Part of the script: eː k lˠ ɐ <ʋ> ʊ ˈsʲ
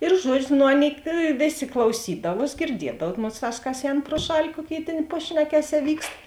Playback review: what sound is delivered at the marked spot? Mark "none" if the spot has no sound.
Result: none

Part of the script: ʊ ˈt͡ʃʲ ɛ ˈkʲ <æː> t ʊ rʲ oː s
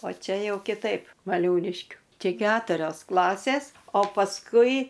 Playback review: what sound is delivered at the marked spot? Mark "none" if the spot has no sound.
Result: æː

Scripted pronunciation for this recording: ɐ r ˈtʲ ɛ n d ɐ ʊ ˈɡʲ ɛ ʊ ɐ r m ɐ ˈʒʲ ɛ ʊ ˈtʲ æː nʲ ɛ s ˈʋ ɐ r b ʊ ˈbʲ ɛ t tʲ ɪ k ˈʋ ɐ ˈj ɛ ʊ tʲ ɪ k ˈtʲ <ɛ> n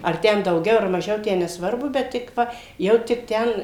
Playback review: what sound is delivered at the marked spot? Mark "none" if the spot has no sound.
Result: ɛ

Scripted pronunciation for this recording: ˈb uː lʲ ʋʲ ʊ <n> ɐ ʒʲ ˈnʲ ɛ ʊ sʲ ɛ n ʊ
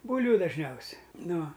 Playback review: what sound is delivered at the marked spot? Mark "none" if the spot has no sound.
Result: d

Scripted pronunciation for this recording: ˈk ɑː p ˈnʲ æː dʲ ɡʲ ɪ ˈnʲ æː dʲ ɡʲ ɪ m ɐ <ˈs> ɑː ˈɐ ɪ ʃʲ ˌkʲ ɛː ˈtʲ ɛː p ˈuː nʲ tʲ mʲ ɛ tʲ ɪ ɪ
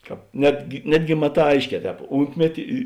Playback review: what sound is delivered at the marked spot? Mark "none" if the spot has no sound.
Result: t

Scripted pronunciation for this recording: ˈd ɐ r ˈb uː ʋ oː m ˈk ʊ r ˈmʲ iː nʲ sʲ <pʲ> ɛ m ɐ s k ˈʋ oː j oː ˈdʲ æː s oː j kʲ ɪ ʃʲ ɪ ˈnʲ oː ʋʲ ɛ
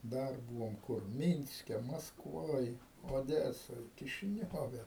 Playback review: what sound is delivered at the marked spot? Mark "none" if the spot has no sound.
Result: kʲ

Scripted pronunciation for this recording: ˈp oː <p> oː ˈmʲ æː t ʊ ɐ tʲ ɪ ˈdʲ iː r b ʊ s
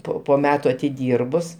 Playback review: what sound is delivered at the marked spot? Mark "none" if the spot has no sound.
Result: p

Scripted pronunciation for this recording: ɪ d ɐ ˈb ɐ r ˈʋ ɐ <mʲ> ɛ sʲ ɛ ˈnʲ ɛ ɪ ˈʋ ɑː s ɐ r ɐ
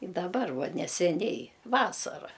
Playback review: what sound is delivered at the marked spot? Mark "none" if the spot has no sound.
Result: nʲ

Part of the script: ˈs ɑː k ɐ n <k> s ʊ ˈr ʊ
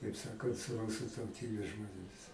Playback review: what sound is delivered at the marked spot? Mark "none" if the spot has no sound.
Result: t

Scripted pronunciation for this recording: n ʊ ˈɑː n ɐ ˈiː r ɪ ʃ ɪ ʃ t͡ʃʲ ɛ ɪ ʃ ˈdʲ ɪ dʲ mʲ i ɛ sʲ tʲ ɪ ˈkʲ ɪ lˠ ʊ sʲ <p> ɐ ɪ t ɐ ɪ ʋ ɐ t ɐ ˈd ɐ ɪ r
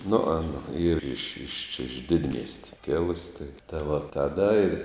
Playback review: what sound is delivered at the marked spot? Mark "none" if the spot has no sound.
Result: t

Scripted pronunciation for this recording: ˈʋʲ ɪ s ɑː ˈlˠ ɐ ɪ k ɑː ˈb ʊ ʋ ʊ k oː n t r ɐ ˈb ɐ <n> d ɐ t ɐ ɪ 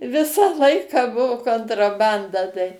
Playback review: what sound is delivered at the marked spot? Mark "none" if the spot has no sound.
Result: n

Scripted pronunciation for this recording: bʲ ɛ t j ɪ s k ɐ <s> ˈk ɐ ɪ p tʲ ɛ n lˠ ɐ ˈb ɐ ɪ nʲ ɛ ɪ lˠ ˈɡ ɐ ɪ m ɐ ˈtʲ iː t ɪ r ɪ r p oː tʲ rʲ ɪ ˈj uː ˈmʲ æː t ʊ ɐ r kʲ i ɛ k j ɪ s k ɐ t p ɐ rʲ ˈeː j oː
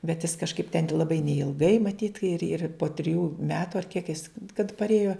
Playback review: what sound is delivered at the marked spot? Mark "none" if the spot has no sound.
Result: ʃ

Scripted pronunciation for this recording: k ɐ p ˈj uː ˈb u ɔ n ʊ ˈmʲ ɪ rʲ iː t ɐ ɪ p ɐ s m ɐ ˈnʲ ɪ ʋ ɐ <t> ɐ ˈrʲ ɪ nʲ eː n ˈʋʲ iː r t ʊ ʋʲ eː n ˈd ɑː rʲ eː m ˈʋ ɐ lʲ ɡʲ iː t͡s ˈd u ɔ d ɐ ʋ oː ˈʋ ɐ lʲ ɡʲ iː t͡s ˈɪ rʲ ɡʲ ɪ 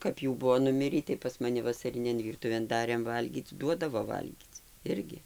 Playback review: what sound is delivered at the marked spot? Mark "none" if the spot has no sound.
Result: s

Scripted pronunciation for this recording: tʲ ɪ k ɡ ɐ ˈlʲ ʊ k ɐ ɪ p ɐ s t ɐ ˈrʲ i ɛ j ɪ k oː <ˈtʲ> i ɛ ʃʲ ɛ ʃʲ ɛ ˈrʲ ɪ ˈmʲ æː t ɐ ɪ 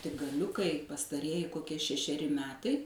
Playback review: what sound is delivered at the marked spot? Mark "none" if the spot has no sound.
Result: kʲ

